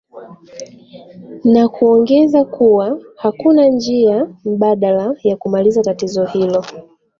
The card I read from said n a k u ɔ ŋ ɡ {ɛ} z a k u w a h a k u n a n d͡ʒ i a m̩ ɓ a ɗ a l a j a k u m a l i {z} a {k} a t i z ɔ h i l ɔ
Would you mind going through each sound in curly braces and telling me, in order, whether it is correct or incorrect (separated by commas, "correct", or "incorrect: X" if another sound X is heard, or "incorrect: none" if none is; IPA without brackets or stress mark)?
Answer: correct, correct, incorrect: t